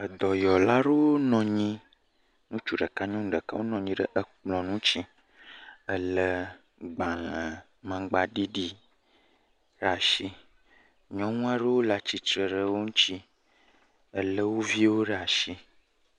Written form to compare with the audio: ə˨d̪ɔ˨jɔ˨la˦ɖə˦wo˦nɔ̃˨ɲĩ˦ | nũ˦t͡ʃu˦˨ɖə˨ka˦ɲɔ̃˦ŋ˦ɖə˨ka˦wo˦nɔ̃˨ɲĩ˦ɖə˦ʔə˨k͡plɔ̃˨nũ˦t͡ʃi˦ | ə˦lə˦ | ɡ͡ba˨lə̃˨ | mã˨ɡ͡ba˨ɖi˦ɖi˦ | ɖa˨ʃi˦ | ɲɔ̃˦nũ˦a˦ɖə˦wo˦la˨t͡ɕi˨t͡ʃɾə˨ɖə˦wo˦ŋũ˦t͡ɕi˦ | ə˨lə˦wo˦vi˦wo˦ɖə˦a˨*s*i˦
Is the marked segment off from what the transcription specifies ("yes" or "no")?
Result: yes